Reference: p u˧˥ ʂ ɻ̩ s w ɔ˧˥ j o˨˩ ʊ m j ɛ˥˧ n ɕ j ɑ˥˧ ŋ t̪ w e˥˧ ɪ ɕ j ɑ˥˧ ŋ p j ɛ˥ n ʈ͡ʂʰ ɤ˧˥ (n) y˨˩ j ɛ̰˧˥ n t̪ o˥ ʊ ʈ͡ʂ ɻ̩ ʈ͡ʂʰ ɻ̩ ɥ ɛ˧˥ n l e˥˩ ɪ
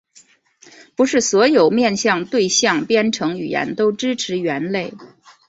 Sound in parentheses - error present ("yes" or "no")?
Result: yes